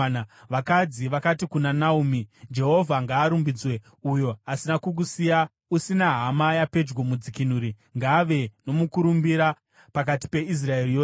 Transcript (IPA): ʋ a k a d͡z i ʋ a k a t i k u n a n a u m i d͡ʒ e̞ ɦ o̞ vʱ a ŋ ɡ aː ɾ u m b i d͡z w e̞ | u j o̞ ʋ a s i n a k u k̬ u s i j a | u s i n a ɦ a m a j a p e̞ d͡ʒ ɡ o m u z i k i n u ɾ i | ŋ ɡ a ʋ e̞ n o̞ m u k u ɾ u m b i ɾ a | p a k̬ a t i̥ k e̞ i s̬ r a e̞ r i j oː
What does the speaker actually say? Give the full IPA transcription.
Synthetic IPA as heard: ʋ a k a d͡z i ʋ a k a t i k u n a n a u m i d͡ʒ e̞ ɦ o̞ vʱ a ŋ ɡ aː ɾ u m b i d͡z w e̞ | u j o̞ a s i n a k u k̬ u s i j a | u s i n a ɦ a m a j a p e̞ d͡ʒ ɡ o m u d͡z i k i n u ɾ i | ŋ ɡ a ʋ e̞ n o̞ m u k u ɾ u m b i ɾ a | p a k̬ a t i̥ p e̞ i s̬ r a e̞ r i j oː